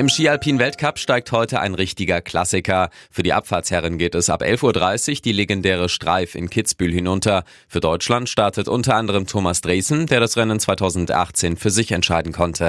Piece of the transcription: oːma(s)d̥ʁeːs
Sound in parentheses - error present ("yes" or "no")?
no